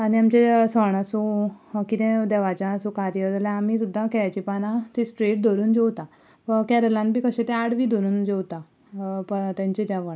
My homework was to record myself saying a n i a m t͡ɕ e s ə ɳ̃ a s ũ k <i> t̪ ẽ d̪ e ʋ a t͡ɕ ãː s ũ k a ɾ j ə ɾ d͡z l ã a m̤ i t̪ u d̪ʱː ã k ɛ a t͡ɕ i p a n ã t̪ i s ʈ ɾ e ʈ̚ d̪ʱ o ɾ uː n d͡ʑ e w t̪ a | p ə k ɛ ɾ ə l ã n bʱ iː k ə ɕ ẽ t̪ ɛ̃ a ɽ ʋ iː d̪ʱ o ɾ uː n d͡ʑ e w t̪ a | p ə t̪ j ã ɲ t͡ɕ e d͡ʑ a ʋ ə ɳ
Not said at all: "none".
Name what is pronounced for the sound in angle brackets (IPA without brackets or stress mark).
i